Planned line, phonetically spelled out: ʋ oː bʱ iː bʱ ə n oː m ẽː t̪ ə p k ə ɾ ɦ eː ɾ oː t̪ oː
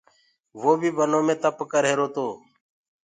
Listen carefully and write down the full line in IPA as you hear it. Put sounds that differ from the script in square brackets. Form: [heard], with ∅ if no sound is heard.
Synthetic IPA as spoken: ʋ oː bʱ iː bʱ ə n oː m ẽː t̪ ə p k ə ɾ ɦ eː ɾ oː t̪ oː

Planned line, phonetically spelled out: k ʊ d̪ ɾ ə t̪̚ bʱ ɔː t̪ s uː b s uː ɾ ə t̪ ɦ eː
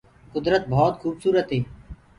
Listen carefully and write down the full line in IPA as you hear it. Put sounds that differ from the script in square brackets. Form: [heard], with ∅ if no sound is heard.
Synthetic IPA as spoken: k ʊ d̪ ɾ ə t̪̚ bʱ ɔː t̪ [x] uː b s uː ɾ ə t̪ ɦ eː

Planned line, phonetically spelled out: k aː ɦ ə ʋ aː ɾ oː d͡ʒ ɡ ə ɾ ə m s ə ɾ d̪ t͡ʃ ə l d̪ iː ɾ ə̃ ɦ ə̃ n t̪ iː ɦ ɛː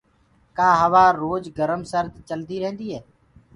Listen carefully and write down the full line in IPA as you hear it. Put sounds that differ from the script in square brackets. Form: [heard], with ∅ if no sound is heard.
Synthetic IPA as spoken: k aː ɦ ə ʋ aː ɾ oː d͡ʒ ɡ ə ɾ ə m s ə ɾ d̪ t͡ʃ ə l d̪ iː ɾ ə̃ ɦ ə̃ n [d̪] iː ɦ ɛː

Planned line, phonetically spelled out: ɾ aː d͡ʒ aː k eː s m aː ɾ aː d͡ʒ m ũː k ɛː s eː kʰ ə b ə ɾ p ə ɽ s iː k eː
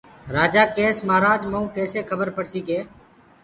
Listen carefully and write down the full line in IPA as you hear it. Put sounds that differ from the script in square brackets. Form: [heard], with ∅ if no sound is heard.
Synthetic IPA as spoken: ɾ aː d͡ʒ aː k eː s m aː ɾ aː d͡ʒ m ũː k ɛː s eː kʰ ə b ə ɾ p ə ɽ s iː k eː

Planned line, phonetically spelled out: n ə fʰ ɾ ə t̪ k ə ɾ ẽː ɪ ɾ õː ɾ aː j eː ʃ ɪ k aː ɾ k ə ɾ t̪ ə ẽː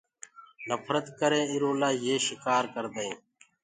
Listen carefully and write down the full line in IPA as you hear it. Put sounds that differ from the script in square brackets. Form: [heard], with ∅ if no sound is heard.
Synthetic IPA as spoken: n ə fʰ ɾ ə t̪ k ə ɾ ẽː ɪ ɾ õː [l] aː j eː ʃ ɪ k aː ɾ k ə ɾ [d̪] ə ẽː

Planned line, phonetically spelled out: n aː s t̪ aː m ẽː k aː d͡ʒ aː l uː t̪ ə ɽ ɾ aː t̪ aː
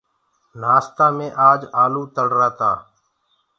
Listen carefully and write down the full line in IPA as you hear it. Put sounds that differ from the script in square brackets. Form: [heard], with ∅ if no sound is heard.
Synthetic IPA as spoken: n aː s t̪ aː m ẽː [ʔ] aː d͡ʒ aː l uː t̪ ə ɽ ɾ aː t̪ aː

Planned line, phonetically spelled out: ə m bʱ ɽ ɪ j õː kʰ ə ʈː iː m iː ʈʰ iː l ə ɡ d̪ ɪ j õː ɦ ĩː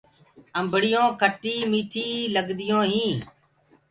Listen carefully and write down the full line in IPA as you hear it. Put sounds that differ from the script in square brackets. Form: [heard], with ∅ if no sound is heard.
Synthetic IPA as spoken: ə m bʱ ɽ ɪ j õː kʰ ə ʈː iː m iː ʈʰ iː l ə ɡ d̪ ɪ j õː ɦ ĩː

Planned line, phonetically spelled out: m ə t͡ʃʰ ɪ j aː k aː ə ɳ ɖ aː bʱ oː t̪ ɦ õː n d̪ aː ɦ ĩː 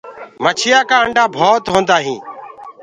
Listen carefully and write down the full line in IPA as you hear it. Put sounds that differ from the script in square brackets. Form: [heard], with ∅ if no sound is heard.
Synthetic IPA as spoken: m ə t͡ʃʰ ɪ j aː k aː ə ɳ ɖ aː bʱ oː t̪ ɦ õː n d̪ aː ɦ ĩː

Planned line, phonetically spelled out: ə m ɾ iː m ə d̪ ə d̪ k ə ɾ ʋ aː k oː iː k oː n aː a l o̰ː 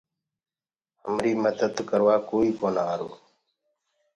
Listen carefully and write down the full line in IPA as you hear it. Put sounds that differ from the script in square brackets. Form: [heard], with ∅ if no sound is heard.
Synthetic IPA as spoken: ə m ɾ iː m ə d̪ ə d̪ k ə ɾ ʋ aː k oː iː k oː n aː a [ɾ] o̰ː

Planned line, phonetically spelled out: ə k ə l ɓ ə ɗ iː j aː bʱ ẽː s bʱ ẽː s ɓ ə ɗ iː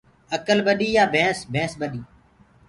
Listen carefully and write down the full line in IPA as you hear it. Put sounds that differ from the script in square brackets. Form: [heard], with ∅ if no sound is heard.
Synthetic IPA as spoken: ə k ə l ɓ ə ɗ iː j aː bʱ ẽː s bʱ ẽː s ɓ ə ɗ iː

